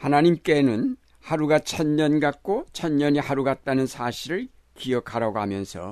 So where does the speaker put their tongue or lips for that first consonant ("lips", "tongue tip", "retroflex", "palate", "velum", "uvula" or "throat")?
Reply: throat